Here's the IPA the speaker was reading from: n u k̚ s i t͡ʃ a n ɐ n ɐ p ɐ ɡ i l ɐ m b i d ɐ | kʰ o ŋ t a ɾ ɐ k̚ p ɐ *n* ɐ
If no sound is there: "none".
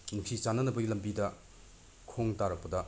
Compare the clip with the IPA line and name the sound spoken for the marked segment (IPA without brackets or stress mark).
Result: d